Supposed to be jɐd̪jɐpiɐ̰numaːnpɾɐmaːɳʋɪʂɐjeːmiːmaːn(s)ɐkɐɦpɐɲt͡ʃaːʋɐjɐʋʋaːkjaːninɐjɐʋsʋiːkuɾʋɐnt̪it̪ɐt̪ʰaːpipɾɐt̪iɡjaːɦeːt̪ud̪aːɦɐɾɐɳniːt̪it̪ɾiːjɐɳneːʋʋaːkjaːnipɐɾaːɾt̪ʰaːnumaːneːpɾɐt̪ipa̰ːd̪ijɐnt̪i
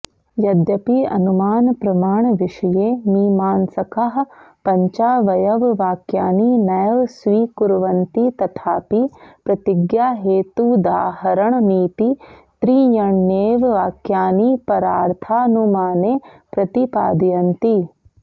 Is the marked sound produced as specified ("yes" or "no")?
yes